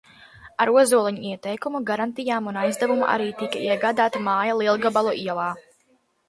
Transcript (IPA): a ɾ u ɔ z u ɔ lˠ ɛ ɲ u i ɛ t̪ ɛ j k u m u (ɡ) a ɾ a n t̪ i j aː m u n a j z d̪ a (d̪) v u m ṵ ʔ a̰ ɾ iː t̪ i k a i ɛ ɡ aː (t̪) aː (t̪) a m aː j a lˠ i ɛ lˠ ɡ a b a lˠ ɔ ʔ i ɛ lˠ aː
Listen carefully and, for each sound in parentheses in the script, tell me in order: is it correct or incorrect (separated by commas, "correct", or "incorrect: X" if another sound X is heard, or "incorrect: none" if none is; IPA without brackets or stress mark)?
correct, incorrect: none, incorrect: d̪, correct